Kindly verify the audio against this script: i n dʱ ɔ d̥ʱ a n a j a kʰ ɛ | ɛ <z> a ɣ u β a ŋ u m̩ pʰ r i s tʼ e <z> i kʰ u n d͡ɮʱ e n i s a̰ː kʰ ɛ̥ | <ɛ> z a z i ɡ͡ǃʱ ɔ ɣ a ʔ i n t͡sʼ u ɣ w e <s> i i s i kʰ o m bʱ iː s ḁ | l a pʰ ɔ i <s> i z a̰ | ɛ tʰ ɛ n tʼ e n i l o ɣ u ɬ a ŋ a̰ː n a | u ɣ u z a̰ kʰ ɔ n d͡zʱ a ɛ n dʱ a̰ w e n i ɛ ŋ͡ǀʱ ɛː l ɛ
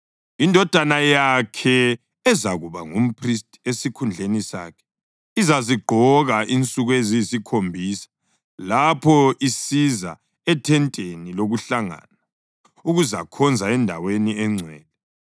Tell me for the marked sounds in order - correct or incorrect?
correct, incorrect, incorrect, incorrect, correct

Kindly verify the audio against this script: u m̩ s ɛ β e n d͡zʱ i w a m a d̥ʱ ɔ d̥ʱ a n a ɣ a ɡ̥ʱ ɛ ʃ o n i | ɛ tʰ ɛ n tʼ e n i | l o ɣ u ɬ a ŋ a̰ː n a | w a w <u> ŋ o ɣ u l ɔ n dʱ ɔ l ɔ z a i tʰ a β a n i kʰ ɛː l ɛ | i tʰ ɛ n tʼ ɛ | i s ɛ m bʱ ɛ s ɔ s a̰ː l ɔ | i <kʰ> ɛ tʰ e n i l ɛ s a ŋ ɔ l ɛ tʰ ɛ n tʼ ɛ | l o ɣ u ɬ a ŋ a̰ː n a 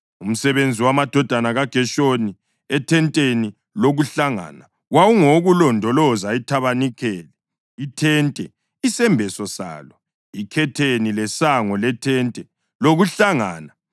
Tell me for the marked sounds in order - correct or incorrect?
correct, correct

